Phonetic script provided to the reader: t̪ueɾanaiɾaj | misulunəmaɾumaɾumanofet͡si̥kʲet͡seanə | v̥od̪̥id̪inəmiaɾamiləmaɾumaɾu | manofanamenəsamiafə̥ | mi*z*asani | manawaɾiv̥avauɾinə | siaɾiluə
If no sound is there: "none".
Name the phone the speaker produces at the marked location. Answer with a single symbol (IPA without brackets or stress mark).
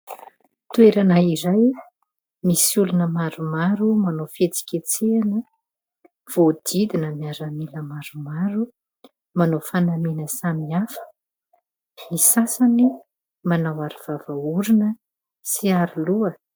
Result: s